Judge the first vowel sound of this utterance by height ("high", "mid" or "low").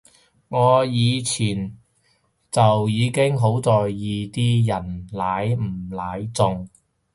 mid